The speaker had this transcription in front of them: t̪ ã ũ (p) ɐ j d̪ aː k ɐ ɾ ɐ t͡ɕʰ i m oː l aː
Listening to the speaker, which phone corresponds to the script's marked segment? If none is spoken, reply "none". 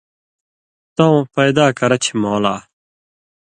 p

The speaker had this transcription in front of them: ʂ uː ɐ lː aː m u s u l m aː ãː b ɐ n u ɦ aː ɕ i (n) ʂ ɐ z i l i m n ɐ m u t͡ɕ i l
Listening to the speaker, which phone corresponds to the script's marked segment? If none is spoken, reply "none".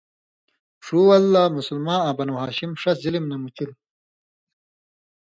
m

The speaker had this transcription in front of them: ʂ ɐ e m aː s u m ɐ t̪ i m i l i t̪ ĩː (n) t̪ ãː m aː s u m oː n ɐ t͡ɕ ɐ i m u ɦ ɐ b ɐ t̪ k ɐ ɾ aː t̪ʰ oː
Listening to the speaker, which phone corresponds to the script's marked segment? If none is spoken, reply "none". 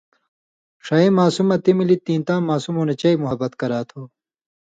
n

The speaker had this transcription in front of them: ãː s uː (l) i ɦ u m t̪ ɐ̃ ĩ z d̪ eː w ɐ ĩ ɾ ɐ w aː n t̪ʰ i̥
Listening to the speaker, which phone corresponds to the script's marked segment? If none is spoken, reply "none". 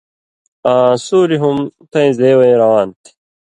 ɾ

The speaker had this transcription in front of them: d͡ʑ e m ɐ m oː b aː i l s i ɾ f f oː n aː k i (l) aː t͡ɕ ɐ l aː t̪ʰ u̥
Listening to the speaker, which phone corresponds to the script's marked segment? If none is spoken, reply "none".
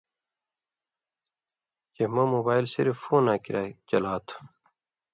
ɾ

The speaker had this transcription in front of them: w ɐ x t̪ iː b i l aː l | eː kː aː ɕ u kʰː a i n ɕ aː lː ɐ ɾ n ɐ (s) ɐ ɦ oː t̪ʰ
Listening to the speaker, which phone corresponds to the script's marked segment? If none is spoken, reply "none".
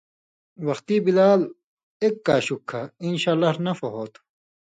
f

